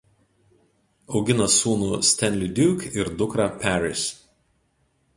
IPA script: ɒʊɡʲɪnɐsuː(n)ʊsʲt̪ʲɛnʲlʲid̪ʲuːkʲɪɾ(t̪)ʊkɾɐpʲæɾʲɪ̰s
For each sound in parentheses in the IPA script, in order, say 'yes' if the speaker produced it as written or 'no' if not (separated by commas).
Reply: yes, no